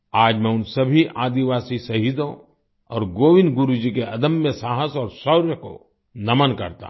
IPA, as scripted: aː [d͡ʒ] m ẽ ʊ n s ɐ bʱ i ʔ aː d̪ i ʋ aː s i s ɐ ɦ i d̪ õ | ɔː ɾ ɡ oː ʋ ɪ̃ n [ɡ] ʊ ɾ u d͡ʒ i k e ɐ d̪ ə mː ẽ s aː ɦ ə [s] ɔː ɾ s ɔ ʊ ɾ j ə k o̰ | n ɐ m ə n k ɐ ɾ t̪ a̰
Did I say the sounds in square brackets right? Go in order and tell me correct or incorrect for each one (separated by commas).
correct, correct, correct